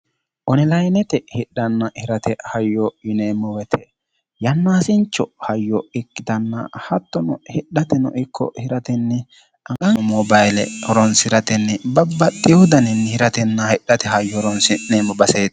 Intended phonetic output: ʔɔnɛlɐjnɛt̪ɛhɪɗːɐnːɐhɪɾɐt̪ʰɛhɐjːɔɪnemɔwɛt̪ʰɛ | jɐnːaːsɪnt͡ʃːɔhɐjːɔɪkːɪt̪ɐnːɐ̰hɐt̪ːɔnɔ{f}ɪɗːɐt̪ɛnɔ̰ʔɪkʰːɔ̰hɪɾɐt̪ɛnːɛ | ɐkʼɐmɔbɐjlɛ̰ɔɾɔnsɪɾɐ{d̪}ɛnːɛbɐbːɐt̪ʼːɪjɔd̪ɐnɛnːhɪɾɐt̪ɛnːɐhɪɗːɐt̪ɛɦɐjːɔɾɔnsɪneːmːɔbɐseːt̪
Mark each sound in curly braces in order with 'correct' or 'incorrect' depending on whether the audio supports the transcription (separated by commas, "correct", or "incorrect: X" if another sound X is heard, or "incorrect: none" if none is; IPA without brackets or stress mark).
incorrect: h, incorrect: t̪